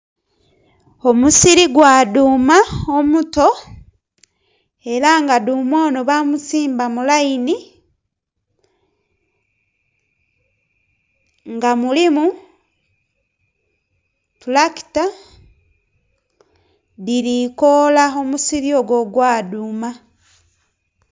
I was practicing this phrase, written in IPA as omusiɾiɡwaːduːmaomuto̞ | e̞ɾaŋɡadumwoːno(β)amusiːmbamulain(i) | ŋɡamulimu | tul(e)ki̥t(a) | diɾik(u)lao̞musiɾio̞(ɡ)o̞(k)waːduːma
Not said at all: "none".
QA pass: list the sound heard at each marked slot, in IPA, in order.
β, i, a, a, o, ɡ, ɡ

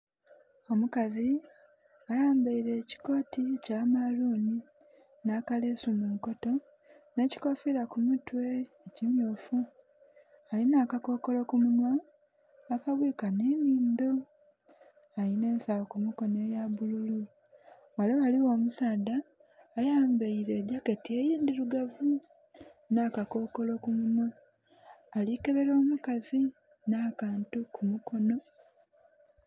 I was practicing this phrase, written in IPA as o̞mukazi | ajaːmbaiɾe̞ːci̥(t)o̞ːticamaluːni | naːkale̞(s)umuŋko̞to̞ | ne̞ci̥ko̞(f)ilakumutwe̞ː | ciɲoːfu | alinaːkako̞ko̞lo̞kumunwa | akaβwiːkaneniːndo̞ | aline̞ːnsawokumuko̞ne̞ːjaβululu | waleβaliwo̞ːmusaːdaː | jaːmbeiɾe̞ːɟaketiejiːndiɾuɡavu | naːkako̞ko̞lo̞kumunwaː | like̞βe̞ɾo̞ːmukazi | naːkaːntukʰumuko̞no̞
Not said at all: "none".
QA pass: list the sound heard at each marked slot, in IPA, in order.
k, s, f

